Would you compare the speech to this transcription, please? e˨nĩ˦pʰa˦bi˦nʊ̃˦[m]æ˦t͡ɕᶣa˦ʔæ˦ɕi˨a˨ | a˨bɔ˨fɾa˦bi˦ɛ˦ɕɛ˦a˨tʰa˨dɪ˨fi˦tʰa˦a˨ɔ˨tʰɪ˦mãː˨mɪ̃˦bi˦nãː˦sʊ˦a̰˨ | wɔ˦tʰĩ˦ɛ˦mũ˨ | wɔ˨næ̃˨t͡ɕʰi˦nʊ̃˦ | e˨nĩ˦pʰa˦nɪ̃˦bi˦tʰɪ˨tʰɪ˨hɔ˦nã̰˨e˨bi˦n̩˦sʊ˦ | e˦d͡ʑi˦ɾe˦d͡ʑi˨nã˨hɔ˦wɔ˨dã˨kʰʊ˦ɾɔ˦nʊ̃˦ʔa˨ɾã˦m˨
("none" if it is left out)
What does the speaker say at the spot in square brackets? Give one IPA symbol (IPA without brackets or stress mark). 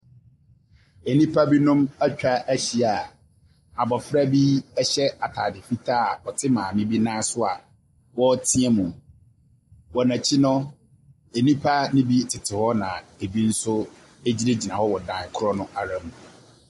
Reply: m